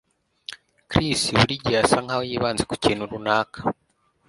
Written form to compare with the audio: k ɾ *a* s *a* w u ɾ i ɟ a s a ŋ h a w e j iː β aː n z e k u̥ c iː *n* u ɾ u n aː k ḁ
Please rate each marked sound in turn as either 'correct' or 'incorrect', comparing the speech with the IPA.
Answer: incorrect, incorrect, correct

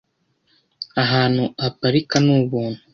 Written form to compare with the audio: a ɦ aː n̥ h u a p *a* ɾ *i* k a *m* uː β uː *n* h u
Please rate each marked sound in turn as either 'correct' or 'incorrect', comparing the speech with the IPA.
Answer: correct, correct, incorrect, correct

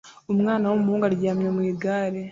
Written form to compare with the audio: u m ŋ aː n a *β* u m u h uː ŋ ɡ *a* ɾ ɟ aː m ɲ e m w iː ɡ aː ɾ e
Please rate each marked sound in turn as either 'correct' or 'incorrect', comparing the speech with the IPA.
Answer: incorrect, correct

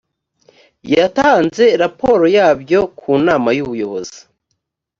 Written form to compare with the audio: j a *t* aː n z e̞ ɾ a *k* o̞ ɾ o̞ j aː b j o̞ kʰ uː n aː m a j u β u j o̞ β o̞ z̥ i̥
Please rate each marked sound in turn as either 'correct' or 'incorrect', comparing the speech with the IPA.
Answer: correct, incorrect

